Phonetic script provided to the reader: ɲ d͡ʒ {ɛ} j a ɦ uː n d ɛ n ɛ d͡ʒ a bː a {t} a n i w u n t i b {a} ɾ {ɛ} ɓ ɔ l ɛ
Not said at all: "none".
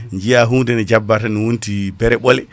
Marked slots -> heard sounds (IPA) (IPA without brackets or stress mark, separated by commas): i, t, ɛ, ɛ